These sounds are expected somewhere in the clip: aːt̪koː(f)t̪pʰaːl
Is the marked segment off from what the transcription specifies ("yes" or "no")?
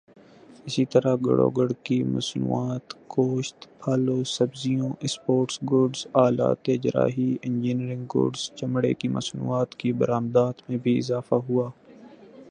yes